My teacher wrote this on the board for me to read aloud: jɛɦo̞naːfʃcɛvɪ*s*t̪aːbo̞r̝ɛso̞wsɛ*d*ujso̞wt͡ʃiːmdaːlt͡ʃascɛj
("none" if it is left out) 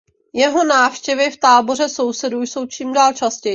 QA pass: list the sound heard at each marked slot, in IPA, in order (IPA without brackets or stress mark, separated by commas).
f, d